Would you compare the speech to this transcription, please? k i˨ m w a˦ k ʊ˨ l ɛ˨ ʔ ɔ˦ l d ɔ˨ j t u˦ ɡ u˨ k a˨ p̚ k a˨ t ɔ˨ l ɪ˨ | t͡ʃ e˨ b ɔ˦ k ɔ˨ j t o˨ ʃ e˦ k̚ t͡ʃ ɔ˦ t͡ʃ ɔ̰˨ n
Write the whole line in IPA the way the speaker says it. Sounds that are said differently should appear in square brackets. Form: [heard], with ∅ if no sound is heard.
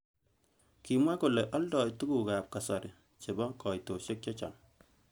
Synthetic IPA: k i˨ m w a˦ k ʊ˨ l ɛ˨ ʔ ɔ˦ l d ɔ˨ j t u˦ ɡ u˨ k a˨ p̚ k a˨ [s] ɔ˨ [ɾ] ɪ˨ | t͡ʃ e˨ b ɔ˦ k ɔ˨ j t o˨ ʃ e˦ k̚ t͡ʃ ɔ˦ t͡ʃ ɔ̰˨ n